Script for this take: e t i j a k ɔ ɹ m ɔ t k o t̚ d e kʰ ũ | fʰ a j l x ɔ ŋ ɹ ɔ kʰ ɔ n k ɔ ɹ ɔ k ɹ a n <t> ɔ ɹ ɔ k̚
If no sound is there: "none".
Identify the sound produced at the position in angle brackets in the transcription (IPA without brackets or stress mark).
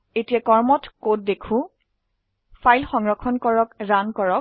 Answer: k